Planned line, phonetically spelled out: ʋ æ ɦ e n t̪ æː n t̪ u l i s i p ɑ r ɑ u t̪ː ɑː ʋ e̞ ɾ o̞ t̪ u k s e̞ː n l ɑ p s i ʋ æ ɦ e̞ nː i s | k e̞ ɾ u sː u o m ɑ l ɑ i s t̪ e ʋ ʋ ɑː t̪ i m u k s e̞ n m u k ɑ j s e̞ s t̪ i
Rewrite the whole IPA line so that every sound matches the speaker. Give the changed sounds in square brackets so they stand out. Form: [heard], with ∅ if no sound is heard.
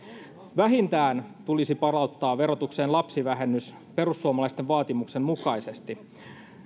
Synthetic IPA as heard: ʋ æ ɦ [i] n t̪ æː n t̪ u l i s i p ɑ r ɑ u t̪ː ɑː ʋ e̞ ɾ o̞ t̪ u k s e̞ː n l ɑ p s i ʋ æ ɦ e̞ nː [y] s | [p] e̞ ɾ u sː u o m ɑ l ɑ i s t̪ e ʋ ʋ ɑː t̪ i m u k s e̞ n m u k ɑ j s e̞ s t̪ i